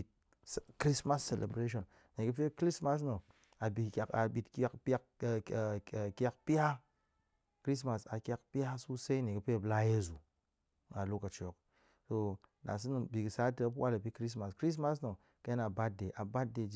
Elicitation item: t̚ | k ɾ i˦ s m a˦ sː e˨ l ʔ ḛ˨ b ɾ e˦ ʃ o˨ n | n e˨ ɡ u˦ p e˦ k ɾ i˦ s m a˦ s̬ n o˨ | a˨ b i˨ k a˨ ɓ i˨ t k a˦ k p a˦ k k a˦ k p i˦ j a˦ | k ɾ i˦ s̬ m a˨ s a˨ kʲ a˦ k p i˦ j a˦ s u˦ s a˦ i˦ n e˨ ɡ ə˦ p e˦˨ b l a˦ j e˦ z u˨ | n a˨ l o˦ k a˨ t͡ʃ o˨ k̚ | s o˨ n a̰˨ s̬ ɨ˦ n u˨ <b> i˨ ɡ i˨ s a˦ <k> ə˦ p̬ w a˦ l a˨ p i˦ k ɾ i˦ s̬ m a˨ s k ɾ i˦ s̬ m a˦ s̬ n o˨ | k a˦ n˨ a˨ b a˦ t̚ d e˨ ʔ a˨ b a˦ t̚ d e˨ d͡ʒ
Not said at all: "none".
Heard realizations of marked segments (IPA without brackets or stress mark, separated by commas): b, t